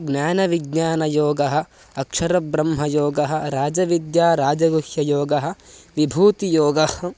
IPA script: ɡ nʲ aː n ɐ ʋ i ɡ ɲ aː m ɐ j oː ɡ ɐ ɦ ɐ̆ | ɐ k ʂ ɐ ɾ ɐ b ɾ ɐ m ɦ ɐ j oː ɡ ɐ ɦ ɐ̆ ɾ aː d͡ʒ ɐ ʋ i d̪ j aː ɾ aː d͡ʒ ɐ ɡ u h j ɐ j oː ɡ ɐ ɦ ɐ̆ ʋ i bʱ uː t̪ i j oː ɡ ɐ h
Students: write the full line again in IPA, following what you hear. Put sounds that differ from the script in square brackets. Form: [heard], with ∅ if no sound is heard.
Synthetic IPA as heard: ɡ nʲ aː n ɐ ʋ i ɡ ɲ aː [n] ɐ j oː ɡ ɐ ɦ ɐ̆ | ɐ k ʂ ɐ ɾ ɐ b ɾ ɐ m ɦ ɐ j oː ɡ ɐ ɦ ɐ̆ ɾ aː d͡ʒ ɐ ʋ i d̪ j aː ɾ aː d͡ʒ ɐ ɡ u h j ɐ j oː ɡ ɐ ɦ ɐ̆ ʋ i bʱ uː t̪ i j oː ɡ ɐ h